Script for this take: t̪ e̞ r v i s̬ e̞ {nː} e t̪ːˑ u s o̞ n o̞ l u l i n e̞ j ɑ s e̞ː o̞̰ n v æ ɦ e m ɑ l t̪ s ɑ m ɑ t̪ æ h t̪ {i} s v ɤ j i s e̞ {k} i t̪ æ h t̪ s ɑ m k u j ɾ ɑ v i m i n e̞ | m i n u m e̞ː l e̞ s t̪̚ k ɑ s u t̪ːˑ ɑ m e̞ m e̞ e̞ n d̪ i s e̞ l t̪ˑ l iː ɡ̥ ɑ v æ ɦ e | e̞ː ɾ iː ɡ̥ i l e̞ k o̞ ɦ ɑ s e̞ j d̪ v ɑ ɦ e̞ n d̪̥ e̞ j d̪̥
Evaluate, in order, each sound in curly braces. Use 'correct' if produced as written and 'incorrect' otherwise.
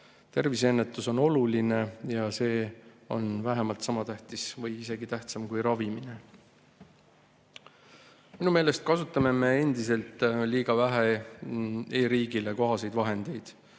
correct, correct, incorrect: ɡ

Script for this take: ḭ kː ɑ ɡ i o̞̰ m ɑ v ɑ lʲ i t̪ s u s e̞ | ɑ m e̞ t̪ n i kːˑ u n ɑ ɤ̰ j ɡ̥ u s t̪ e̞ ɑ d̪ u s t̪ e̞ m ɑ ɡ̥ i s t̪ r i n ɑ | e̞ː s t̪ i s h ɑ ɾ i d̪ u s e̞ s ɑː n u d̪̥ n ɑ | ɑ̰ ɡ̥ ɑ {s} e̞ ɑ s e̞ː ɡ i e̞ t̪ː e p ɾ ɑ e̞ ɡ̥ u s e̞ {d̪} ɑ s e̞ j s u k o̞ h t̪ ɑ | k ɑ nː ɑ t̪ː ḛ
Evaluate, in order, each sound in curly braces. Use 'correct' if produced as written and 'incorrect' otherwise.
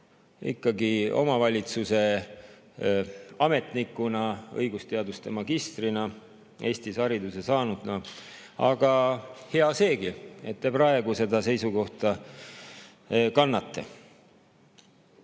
incorrect: h, correct

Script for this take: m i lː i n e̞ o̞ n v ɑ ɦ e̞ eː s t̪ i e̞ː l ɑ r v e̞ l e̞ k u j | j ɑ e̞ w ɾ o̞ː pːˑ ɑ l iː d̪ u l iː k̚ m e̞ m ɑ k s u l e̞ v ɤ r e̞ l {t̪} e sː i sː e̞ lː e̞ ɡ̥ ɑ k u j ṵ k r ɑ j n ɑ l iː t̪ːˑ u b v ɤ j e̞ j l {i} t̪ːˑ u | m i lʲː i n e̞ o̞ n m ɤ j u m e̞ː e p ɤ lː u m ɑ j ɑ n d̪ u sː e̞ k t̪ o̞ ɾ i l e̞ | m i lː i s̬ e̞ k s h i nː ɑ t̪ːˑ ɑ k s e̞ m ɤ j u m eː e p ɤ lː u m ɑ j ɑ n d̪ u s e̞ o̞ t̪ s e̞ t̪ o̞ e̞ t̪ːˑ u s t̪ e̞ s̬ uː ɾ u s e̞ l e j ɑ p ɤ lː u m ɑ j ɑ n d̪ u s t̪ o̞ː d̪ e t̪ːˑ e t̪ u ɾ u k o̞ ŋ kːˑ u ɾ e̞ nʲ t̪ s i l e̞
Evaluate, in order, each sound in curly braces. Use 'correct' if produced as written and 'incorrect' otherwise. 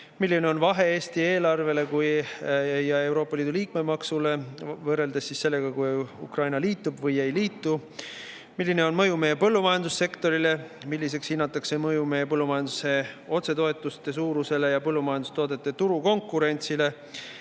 incorrect: d̪, incorrect: iː

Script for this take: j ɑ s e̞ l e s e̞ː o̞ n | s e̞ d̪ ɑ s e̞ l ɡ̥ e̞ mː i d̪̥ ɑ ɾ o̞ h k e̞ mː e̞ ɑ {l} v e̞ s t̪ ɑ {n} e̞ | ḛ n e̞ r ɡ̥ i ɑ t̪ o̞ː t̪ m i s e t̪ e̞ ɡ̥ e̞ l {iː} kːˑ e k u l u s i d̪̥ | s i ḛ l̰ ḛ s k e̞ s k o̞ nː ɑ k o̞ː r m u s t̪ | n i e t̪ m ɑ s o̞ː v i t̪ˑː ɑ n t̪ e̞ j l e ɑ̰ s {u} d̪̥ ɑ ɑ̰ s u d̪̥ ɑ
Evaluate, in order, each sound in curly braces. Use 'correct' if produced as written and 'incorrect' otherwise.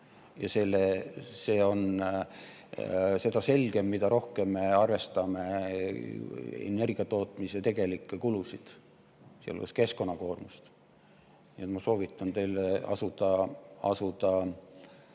incorrect: r, incorrect: m, incorrect: i, correct

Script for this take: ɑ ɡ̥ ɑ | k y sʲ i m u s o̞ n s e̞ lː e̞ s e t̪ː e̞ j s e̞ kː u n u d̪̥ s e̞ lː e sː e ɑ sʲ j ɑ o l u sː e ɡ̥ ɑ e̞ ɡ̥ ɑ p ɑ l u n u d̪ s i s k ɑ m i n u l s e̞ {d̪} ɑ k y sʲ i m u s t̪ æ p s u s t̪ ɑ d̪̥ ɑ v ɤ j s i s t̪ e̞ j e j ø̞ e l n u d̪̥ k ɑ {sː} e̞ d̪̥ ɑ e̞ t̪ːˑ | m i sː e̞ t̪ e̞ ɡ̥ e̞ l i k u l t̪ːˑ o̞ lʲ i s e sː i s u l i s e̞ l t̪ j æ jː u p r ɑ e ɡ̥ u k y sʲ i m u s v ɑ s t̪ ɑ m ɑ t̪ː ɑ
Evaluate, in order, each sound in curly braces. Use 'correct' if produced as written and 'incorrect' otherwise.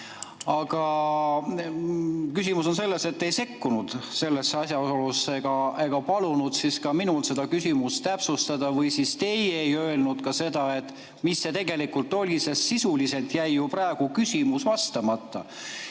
correct, incorrect: s

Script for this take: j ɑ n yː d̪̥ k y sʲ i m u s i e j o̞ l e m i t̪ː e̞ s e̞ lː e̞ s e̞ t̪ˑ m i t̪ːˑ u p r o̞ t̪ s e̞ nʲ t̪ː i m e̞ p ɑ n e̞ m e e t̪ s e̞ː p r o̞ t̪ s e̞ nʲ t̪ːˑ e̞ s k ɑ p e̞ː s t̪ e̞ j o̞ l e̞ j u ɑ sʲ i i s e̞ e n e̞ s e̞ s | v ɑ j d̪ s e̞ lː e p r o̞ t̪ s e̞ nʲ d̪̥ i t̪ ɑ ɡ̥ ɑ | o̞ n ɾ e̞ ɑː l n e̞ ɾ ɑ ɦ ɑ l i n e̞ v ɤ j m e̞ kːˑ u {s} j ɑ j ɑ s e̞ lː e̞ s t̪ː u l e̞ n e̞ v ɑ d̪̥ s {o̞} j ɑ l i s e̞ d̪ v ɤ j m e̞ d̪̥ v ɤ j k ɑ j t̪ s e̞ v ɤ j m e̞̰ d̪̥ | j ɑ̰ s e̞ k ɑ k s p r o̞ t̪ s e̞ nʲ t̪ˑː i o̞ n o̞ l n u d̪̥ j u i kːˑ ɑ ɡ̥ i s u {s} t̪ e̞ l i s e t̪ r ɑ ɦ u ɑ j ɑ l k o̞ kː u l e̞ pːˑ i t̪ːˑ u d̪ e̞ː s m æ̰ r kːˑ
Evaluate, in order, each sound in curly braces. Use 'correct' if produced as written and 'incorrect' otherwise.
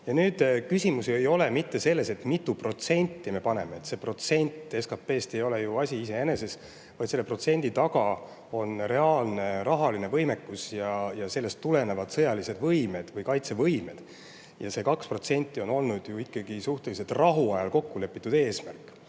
correct, incorrect: ɤ̞, incorrect: h

